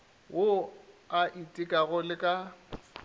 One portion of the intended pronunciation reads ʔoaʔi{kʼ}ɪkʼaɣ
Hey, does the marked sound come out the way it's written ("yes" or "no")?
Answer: no